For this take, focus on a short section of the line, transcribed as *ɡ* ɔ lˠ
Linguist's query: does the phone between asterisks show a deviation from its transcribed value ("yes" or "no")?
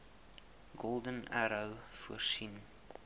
no